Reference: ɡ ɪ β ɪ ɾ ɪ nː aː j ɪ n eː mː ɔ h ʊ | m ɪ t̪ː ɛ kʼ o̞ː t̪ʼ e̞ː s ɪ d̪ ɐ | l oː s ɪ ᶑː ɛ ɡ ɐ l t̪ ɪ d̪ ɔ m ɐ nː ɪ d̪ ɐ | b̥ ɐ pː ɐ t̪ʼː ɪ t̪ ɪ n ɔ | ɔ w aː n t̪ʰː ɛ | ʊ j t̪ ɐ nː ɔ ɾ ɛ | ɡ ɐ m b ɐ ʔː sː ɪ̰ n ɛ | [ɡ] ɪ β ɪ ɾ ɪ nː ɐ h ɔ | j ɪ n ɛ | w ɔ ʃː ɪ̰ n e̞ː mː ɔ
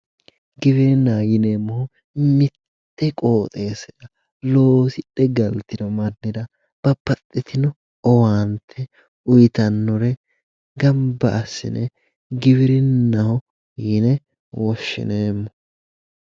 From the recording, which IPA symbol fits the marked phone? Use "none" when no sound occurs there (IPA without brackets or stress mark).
ɡ